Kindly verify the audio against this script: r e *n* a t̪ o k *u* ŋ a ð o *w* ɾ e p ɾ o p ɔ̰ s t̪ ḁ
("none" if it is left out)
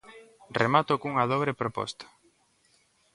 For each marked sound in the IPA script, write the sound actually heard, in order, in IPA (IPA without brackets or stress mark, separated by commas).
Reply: m, u, β